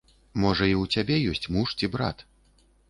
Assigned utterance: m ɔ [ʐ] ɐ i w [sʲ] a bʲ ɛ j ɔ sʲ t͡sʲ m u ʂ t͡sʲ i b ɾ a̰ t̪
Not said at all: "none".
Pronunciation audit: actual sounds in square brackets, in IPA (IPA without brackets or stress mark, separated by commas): ʐ, t͡sʲ